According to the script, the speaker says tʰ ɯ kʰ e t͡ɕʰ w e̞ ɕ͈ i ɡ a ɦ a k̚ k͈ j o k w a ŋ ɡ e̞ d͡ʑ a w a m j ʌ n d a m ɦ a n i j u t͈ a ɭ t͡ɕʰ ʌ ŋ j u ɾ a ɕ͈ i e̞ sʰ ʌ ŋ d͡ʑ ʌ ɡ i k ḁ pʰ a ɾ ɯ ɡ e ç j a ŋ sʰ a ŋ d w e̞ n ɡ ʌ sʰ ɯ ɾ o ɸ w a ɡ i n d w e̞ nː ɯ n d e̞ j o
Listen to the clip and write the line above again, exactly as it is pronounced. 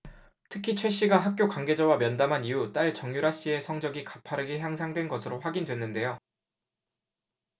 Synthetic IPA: tʰ ɯ kʰ i t͡ɕʰ w e̞ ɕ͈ i ɡ a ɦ a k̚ k͈ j o k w a ŋ ɡ e̞ d͡ʑ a w a m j ʌ n d a m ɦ a n i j u t͈ a ɭ t͡ɕ ʌ ŋ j u ɾ a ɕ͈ i e̞ sʰ ʌ ŋ d͡ʑ ʌ ɡ i k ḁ pʰ a ɾ ɯ ɡ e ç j a ŋ sʰ a ŋ d w e̞ n ɡ ʌ sʰ ɯ ɾ o ɸ w a ɡ i n d w e̞ nː ɯ n d e̞ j o